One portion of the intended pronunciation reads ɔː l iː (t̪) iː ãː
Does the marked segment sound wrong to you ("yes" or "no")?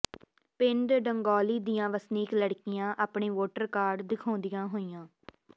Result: yes